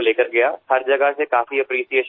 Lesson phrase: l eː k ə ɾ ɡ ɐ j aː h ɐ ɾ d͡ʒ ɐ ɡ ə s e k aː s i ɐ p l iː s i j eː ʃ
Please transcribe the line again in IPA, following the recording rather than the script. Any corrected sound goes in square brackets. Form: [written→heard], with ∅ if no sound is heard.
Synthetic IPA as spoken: l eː k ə ɾ ɡ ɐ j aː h ɐ ɾ d͡ʒ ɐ ɡ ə s e k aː [s→f] i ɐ p [l→ɾ] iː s i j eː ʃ

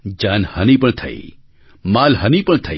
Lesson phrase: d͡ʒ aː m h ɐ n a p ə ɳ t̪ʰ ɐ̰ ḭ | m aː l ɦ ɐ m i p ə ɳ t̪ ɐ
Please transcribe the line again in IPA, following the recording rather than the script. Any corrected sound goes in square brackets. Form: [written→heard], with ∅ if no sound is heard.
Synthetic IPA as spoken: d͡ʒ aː [m→n] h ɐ n [a→i] p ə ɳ t̪ʰ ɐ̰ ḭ | m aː l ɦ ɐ [m→n] i p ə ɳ [t̪→t̪ʰ] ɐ

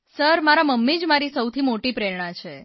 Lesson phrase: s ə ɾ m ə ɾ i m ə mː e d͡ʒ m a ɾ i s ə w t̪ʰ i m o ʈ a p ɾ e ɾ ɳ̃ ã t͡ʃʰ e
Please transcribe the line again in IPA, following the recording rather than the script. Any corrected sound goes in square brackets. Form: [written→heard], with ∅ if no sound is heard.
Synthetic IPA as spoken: s ə ɾ m [ə→a] ɾ [i→a] m ə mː [e→i] d͡ʒ m a ɾ i s ə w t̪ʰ i m o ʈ [a→i] p ɾ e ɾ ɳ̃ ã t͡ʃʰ e

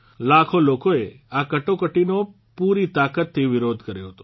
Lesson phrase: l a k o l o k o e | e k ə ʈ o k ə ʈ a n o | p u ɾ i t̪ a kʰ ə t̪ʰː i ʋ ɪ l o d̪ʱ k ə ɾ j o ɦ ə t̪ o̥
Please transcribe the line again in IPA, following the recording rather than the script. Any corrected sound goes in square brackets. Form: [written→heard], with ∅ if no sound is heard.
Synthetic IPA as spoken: l a [k→kʰ] o l o k o e | [e→a] k ə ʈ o k ə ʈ [a→i] n o | p u ɾ i t̪ a [kʰ→k] ə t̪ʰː i ʋ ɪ [l→ɾ] o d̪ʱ k ə ɾ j o ɦ ə t̪ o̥

